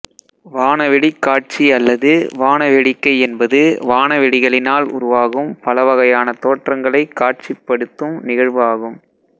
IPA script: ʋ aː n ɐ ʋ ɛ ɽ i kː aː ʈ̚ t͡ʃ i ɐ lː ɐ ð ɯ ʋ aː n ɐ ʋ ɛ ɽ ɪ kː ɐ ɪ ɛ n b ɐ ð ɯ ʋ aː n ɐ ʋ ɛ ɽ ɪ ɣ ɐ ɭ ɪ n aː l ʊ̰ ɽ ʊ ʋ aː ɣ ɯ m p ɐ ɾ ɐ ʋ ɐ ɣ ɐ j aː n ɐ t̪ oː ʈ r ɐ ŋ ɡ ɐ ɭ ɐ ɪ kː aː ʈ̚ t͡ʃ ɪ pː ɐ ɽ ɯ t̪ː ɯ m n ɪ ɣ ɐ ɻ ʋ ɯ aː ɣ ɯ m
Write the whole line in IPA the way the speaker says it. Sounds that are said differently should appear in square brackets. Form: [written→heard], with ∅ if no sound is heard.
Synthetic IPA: ʋ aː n ɐ ʋ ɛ ɽ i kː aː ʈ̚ t͡ʃ i ɐ lː ɐ ð ɯ ʋ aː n ɐ ʋ ɛ ɽ ɪ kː ɐ ɪ ɛ n b ɐ ð ɯ ʋ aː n ɐ ʋ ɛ ɽ ɪ ɣ ɐ ɭ ɪ n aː l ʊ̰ [ɽ→ɾ] ʊ ʋ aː ɣ ɯ m p ɐ [ɾ→l] ɐ ʋ ɐ ɣ ɐ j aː n ɐ t̪ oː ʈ r ɐ ŋ ɡ ɐ ɭ ɐ ɪ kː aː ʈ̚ t͡ʃ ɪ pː ɐ ɽ ɯ t̪ː ɯ m n ɪ ɣ ɐ ɻ ʋ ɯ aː ɣ ɯ m

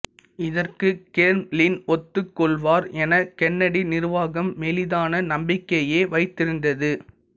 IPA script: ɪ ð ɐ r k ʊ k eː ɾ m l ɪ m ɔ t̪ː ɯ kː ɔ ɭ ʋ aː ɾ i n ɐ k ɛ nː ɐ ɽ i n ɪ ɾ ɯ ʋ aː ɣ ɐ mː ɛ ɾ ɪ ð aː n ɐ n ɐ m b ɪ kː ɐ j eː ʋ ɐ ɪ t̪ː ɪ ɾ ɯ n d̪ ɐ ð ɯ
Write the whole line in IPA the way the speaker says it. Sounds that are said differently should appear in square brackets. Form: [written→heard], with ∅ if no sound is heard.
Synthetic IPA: ɪ ð ɐ r k [ʊ→ɯ] k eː ɾ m l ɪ [m→n] ɔ t̪ː ɯ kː ɔ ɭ ʋ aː ɾ [i→ɛ] n ɐ k ɛ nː ɐ ɽ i n ɪ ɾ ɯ ʋ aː ɣ ɐ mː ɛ [ɾ→l] ɪ ð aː n ɐ n ɐ m b ɪ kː ɐ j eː ʋ ɐ ɪ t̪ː ɪ ɾ ɯ n d̪ ɐ ð ɯ

